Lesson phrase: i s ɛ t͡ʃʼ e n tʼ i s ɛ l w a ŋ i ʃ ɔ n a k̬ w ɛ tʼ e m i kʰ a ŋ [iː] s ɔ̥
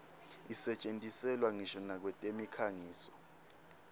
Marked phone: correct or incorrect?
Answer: correct